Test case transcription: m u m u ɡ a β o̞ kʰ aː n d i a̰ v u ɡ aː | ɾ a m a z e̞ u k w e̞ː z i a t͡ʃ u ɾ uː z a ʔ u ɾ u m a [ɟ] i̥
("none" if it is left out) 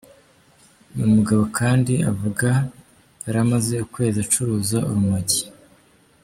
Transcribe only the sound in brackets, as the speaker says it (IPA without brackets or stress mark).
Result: ɟ